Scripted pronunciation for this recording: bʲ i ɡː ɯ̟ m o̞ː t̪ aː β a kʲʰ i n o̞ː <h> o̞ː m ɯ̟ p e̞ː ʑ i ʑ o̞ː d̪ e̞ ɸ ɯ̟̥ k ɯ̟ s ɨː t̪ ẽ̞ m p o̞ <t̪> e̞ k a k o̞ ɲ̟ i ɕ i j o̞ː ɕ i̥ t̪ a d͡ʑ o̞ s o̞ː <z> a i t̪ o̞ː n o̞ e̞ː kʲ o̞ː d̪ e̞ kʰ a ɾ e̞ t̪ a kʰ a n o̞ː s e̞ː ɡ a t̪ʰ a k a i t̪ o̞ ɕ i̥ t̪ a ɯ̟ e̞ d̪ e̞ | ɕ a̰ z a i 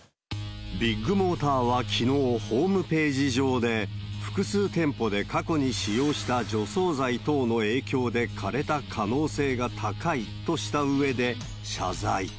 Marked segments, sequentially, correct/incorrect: correct, incorrect: d̪, correct

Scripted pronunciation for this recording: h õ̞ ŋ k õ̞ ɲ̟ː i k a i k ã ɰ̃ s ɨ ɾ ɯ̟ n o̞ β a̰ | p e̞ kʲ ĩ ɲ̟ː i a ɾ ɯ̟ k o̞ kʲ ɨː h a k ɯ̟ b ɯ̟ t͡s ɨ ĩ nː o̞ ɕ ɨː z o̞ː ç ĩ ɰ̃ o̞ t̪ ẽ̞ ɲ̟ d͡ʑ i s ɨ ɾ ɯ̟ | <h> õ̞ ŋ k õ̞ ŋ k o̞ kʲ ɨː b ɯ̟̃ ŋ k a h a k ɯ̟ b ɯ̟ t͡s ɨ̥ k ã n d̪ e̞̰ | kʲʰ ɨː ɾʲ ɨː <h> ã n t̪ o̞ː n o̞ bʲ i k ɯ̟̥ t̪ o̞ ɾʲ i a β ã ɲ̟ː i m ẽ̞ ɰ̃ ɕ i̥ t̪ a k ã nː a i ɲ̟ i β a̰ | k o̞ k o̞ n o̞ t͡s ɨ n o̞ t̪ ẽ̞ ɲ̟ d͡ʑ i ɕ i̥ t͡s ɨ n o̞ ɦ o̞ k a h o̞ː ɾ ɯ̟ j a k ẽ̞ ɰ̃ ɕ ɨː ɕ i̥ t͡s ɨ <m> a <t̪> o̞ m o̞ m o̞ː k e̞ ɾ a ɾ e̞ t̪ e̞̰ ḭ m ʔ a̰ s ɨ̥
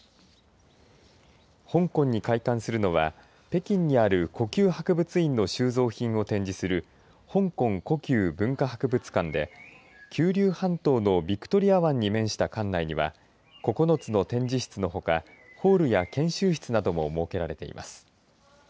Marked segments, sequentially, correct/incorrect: correct, correct, incorrect: n, incorrect: d̪

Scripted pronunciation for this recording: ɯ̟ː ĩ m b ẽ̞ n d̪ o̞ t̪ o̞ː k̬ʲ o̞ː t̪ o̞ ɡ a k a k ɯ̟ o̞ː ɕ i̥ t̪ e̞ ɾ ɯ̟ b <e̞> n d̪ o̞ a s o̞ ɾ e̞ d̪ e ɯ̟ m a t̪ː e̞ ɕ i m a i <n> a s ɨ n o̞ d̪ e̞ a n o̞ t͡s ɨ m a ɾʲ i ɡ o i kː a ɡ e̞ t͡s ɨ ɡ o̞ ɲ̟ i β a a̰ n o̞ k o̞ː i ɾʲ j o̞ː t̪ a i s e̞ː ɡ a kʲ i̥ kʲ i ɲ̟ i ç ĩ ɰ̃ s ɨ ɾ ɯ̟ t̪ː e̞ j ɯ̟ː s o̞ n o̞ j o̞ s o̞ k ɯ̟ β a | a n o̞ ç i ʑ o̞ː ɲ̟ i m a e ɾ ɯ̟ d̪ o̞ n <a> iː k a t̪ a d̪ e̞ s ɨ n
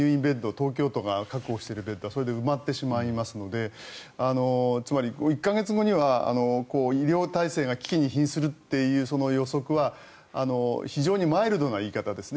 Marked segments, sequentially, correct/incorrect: correct, incorrect: m, correct

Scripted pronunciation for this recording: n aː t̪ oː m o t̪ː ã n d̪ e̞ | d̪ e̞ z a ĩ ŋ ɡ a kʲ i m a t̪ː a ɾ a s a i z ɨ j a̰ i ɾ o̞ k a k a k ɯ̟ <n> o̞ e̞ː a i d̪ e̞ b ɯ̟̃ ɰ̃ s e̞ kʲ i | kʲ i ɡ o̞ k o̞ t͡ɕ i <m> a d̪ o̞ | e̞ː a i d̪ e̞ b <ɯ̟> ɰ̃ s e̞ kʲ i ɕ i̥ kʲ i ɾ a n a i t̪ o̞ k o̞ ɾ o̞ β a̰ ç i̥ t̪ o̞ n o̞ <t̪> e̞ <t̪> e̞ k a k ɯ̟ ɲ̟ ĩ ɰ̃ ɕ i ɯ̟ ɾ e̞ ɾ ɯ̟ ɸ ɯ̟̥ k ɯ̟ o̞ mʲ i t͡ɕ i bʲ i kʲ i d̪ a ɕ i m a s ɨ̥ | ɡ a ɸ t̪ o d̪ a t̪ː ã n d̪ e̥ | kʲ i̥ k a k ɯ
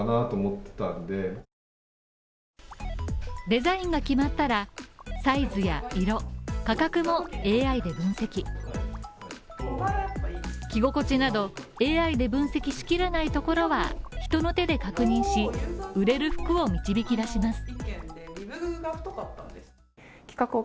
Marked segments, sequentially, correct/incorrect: incorrect: m, incorrect: n, incorrect: ɯ̟̃, correct, incorrect: d̪

